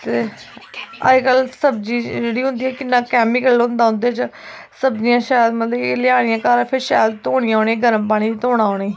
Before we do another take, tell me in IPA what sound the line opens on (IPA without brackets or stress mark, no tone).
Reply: t̪